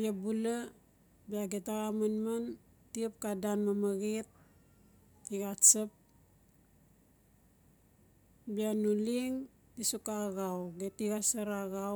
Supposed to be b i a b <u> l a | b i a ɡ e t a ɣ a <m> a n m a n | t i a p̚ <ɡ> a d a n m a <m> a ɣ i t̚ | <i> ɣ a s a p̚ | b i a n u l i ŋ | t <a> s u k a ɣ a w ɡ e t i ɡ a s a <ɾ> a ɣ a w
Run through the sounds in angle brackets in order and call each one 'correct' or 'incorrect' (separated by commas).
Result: correct, correct, incorrect, correct, correct, incorrect, correct